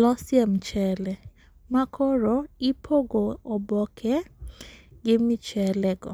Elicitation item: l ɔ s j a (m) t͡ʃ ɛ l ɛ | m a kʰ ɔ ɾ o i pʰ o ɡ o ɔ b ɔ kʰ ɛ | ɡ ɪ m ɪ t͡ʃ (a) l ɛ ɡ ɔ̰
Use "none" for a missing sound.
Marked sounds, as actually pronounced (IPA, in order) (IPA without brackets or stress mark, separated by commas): m, ɛ